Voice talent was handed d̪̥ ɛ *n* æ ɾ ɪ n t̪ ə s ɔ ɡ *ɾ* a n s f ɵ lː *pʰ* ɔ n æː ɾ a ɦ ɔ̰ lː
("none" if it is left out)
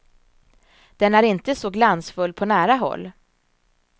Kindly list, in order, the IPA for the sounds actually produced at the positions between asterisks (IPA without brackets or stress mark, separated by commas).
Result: n, l, pʰ